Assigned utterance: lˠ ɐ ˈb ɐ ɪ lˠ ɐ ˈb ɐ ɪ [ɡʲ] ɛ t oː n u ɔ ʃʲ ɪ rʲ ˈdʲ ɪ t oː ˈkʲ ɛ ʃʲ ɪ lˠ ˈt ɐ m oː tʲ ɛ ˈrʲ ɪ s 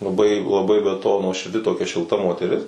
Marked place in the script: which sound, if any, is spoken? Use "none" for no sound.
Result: bʲ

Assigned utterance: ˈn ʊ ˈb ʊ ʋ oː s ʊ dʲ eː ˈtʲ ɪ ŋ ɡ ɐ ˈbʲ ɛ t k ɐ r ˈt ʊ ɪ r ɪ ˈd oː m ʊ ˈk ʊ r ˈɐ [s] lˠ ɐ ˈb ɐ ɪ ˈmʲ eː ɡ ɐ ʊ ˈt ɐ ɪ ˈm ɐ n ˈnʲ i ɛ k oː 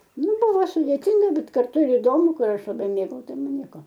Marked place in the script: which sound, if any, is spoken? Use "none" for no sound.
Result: ʃ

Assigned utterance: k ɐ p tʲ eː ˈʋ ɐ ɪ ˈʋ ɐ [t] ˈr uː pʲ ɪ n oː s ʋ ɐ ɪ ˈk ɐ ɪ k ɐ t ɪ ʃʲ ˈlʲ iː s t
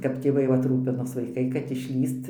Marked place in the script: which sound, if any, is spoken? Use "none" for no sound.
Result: t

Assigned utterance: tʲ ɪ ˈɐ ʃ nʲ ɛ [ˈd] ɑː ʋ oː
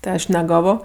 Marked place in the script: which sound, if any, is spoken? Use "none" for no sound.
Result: ɡ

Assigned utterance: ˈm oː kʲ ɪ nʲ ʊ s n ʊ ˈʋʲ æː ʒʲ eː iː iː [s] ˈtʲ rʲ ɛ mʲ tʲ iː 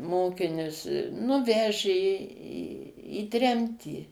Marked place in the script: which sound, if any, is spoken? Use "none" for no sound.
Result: none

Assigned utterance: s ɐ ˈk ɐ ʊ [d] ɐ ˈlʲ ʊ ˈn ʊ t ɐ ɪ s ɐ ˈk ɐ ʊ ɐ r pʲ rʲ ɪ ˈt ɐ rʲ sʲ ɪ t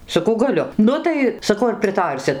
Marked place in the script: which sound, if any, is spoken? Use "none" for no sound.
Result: ɡ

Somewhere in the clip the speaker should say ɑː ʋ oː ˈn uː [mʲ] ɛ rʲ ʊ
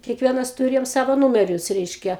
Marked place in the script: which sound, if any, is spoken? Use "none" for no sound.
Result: mʲ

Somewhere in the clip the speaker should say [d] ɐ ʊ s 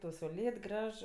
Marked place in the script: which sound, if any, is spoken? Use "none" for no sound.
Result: t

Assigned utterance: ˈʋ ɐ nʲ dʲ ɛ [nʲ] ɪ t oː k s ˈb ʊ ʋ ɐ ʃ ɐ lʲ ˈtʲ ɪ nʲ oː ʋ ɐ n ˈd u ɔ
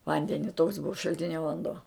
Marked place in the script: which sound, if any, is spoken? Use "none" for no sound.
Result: nʲ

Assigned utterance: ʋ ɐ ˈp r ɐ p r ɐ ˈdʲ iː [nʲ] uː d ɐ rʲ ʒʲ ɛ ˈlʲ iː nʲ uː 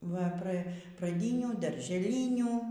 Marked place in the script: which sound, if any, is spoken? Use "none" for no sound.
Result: nʲ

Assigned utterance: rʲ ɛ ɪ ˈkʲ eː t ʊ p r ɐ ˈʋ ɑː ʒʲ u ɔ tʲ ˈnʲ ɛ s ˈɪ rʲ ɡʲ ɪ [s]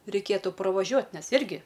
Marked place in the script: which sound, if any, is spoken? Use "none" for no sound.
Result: none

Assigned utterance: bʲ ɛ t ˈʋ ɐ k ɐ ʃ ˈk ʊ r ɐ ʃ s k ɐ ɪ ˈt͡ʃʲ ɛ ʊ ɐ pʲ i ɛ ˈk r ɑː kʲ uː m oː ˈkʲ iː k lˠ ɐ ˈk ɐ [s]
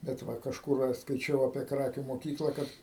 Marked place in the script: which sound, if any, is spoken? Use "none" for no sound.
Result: t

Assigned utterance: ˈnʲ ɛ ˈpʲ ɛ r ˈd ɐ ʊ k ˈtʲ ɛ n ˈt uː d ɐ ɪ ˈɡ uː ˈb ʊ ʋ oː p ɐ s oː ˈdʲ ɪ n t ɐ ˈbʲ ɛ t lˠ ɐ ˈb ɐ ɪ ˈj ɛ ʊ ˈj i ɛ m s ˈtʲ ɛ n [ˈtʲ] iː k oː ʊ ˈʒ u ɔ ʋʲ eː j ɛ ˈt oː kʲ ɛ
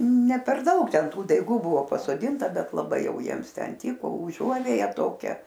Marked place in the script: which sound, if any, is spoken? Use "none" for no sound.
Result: tʲ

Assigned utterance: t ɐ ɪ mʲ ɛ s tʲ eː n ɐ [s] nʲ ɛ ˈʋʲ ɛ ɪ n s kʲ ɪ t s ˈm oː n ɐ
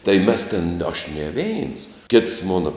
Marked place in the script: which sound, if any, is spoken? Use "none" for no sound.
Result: ʃ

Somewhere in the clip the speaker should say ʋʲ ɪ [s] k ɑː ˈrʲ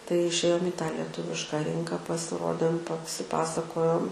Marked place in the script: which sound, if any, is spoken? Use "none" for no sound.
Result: ʃ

